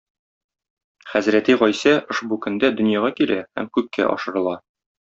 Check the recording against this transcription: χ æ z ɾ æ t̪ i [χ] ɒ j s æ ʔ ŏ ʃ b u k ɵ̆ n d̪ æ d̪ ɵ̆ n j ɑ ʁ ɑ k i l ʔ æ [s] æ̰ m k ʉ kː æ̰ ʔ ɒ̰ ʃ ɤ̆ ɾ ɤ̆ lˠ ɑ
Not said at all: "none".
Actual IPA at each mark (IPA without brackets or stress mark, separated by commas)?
ʁ, h